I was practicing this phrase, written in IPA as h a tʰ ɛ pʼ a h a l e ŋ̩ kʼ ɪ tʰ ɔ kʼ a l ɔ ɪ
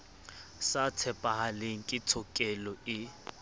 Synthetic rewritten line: s a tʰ ɛ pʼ a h a l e ŋ̩ kʼ ɪ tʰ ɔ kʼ ɛ l ɔ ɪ